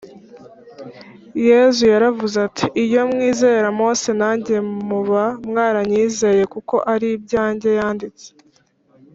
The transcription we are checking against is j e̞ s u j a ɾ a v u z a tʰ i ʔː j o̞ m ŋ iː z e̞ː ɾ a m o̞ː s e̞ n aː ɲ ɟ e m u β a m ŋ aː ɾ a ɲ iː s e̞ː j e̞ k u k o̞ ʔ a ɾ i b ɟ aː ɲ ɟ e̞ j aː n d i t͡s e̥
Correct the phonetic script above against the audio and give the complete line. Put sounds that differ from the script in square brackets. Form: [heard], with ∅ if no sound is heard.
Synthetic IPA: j e̞ [z] u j a ɾ a v u z a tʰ i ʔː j o̞ m ŋ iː z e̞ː ɾ a m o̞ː s e̞ n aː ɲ ɟ e m u β a m ŋ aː ɾ a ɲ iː [z] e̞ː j e̞ k u k o̞ ʔ a ɾ i b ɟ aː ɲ ɟ e̞ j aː n d i t͡s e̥